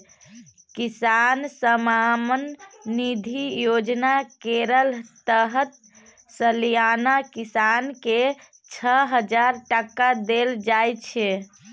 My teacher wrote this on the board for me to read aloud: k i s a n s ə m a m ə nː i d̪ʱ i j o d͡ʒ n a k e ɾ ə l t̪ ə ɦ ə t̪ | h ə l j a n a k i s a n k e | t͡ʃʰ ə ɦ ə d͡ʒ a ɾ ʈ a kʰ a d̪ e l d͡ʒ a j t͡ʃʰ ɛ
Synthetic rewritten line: k i s a n s ə m a m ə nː i d̪ʱ i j o d͡ʒ n a k e ɾ ə l t̪ ə ɦ ə t̪ | s ə l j a n a k i s a n k e | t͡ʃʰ ə ɦ ə d͡ʒ a ɾ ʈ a k a d̪ e l d͡ʒ a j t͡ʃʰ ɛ